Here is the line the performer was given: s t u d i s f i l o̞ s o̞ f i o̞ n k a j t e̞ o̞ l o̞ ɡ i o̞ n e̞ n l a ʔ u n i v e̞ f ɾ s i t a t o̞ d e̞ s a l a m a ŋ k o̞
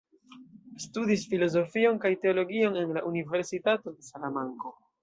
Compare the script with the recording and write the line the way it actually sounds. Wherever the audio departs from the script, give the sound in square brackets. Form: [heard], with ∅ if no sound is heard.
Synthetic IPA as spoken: s t u d i s f i l o̞ [z] o̞ f i o̞ n k a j t e̞ o̞ l o̞ ɡ i o̞ n e̞ n l a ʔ u n i v e̞ [∅] ɾ s i t a t o̞ d e̞ s a l a m a ŋ k o̞